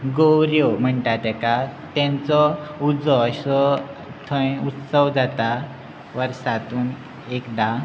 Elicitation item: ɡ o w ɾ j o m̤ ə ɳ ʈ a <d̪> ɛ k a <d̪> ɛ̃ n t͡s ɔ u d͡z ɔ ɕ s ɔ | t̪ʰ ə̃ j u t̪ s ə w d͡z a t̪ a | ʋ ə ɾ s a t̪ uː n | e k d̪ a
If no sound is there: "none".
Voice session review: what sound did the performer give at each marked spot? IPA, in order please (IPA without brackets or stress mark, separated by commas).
t̪, t̪